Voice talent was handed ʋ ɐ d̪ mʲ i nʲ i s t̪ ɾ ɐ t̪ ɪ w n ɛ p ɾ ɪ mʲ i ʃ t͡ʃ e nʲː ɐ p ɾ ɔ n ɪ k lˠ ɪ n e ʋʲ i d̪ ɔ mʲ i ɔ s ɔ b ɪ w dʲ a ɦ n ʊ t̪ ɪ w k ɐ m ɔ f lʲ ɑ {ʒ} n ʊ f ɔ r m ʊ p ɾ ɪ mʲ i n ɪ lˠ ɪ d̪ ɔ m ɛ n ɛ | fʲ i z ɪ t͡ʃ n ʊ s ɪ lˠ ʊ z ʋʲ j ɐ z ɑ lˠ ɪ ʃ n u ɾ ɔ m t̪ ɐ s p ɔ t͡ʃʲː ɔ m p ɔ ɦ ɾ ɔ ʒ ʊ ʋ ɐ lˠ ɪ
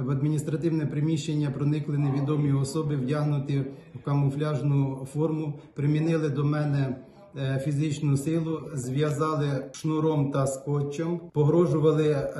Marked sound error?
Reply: no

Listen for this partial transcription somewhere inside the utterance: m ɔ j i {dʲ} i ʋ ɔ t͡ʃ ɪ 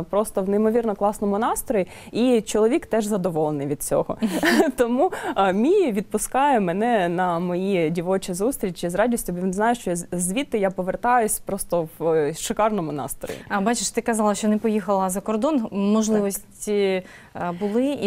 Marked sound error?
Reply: no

